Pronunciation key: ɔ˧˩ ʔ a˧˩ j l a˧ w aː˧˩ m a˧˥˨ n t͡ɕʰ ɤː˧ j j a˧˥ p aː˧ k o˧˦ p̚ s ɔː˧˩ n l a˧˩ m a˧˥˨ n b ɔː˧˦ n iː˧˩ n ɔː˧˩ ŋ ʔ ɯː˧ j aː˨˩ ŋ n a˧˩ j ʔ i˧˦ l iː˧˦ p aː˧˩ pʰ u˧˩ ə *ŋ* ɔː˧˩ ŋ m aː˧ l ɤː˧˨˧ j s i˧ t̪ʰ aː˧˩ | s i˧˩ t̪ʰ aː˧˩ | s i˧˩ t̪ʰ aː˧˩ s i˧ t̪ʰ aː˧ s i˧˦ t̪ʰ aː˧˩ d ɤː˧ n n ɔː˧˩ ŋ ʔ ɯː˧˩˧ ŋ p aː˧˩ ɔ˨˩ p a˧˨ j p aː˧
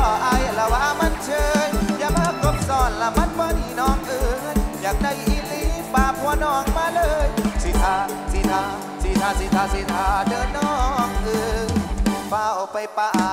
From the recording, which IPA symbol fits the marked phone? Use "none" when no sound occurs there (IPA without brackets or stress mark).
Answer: n